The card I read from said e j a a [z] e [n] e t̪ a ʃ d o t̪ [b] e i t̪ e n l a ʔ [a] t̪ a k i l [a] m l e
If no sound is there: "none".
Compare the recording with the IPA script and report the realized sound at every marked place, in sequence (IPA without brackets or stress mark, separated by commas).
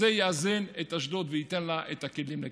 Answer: z, n, v, e, i